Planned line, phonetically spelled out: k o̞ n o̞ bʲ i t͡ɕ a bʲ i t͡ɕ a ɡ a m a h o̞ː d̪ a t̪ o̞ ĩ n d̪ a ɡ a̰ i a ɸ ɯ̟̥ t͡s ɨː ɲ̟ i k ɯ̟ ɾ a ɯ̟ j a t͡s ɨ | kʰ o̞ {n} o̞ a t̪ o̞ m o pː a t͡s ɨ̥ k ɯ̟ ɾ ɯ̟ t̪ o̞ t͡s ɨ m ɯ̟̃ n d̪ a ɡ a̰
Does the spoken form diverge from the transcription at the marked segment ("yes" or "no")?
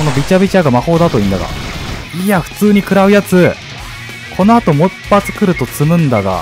no